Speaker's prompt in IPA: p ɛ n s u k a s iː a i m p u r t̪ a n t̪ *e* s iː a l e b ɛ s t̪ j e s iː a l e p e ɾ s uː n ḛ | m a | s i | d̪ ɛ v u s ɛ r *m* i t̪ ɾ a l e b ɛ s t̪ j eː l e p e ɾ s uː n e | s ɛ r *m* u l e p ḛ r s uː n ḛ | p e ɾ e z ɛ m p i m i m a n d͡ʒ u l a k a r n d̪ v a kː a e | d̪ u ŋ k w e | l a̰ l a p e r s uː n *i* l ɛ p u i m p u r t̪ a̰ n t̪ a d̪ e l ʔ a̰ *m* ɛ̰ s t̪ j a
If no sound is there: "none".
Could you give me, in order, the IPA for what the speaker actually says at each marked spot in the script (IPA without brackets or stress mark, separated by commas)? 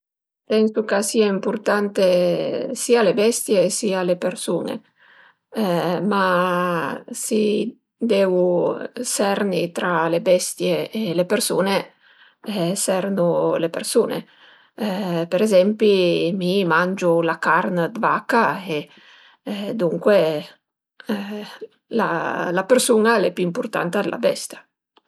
e, n, n, a, b